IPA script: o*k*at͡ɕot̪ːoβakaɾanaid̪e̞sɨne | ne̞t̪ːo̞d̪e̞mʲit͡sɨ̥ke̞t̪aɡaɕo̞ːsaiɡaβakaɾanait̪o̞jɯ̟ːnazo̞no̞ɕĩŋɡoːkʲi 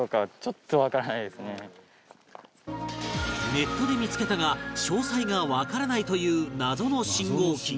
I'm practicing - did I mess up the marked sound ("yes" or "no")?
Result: no